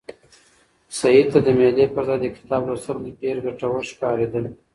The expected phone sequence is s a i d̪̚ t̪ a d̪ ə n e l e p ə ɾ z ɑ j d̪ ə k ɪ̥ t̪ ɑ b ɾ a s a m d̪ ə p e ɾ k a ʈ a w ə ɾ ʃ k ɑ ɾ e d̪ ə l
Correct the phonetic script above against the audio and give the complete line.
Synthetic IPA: s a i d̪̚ t̪ a d̪ ə m e l e p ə ɾ z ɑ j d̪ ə k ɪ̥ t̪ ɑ b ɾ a s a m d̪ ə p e ɾ ɡ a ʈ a w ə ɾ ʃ k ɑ ɾ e d̪ ə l